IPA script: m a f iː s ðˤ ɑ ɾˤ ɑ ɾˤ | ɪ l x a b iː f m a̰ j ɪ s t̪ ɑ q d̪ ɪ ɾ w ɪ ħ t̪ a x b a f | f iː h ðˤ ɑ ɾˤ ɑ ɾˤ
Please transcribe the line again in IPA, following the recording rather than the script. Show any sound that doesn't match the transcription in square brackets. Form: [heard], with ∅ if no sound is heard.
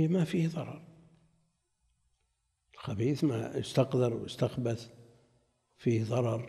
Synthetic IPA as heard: m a f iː [h] ðˤ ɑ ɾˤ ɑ ɾˤ | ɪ l x a b iː [θ] m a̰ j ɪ s t̪ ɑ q d̪ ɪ ɾ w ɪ [s] t̪ a x b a [θ] | f iː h ðˤ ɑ ɾˤ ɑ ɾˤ